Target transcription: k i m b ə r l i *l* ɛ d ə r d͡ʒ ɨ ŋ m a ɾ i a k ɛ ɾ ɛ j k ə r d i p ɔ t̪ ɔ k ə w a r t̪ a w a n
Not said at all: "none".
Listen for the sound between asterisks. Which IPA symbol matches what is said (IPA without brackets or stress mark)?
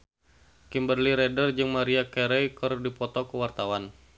ɾ